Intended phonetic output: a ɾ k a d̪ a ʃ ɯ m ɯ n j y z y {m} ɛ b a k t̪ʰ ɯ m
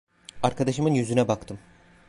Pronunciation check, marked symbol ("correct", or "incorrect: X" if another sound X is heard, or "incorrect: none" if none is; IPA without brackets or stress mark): incorrect: n